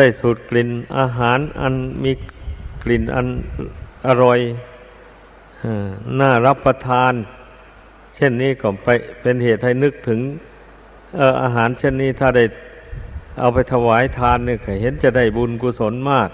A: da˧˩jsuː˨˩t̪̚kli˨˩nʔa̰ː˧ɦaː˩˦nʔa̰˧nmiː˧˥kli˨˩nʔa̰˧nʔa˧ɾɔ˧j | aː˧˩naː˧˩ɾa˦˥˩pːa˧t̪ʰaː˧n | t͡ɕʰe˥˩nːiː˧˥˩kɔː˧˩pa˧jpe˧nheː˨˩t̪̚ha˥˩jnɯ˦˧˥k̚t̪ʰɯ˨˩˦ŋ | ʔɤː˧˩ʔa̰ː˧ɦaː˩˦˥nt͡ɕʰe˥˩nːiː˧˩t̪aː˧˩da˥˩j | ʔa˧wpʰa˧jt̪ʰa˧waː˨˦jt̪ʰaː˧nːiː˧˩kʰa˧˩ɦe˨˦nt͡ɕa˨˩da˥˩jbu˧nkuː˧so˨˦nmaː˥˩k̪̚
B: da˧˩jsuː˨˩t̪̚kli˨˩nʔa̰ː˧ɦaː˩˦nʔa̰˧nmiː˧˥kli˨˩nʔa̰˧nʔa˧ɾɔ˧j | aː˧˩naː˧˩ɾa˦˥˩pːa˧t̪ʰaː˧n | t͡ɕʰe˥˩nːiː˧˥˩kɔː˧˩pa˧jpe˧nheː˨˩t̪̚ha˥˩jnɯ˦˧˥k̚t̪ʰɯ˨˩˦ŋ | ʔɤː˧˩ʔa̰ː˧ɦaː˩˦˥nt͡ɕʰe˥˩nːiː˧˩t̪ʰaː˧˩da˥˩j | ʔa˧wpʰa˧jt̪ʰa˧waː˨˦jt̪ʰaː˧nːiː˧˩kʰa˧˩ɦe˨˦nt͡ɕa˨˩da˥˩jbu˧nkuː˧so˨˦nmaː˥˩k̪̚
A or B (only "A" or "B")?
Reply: B